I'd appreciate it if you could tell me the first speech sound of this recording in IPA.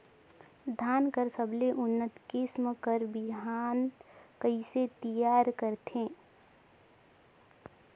d̪ʱ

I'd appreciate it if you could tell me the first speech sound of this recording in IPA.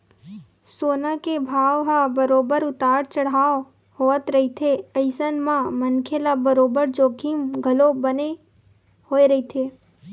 s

